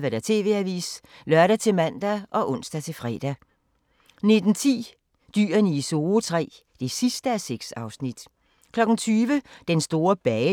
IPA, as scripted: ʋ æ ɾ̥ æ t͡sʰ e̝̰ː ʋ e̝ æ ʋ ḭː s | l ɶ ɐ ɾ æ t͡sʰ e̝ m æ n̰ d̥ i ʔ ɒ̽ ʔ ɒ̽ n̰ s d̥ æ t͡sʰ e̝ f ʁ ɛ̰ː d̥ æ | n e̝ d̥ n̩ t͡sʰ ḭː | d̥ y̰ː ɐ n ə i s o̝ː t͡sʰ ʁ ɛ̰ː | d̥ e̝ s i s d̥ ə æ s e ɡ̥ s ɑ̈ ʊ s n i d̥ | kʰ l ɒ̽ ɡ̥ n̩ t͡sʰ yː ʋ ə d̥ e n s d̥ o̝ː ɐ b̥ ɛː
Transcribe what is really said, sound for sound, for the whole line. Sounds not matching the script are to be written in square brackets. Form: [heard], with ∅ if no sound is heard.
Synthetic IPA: ʋ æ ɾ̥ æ t͡sʰ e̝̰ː ʋ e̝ æ ʋ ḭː s | l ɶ ɐ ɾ æ t͡sʰ e̝ m æ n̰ d̥ [æ] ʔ ɒ̽ ʔ [ɔ̽] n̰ s d̥ æ t͡sʰ e̝ f ʁ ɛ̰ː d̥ æ | n e̝ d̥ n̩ t͡sʰ ḭː | d̥ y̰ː ɐ n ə i s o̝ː t͡sʰ ʁ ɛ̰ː | d̥ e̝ s i s d̥ ə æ s e ɡ̥ s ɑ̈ ʊ s n i d̥ | kʰ l ɒ̽ ɡ̥ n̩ t͡sʰ yː ʋ ə d̥ e n s d̥ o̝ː ɐ b̥ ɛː